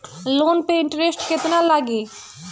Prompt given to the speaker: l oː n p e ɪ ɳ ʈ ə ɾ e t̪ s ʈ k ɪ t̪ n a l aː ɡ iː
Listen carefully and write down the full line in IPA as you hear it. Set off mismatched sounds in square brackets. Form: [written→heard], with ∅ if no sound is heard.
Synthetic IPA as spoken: l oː n p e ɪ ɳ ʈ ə ɾ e [t̪→∅] s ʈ k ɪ t̪ n a l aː ɡ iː